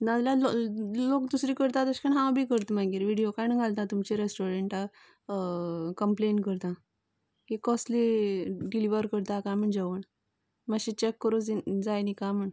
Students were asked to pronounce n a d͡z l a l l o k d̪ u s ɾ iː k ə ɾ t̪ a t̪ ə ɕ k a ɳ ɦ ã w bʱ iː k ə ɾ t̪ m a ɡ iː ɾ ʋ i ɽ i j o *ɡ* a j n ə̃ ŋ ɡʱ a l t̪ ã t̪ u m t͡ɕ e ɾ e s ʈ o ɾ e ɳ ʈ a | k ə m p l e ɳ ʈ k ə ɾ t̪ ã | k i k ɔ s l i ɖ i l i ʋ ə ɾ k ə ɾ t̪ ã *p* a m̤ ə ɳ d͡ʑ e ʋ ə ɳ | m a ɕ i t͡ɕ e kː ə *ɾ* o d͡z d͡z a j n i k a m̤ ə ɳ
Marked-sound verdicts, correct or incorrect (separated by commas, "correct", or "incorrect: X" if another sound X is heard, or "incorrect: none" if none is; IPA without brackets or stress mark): incorrect: k, incorrect: k, correct